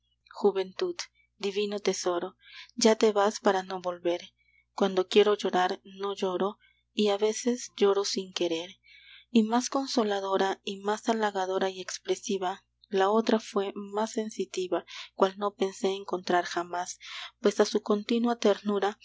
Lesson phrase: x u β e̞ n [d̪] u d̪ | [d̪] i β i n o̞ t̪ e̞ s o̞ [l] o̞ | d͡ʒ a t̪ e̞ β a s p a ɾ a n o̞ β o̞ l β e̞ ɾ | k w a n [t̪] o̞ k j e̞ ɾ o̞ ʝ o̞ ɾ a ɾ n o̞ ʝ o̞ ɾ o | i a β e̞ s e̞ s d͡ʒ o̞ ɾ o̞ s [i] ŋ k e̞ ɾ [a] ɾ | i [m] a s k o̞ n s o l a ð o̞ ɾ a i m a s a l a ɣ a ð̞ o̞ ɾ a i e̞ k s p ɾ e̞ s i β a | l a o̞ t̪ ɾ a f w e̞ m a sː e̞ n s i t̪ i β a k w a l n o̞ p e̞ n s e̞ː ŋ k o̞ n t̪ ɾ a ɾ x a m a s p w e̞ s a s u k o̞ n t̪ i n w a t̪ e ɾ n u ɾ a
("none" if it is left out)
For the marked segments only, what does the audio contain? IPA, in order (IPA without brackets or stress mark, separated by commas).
t̪, d̪, ɾ, d̪, i, e, m